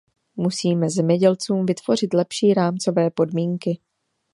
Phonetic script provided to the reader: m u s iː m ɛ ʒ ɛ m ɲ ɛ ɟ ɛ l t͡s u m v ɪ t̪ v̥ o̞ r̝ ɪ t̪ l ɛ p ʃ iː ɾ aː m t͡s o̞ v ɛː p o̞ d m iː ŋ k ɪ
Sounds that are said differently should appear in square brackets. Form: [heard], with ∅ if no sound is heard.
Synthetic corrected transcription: m u s iː m ɛ [z] ɛ m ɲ ɛ ɟ ɛ l t͡s [uː] m v ɪ t̪ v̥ o̞ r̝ ɪ t̪ l ɛ p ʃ iː ɾ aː m t͡s o̞ v ɛː p o̞ d m iː ŋ k ɪ